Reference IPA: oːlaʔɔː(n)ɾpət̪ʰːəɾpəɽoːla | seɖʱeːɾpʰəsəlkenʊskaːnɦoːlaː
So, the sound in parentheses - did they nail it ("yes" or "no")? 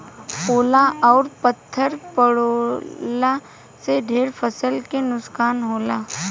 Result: no